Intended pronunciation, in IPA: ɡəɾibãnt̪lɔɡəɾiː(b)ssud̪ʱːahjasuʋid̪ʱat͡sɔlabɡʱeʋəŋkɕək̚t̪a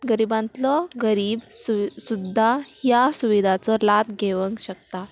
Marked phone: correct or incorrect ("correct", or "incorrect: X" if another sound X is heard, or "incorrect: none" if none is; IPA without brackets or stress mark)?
correct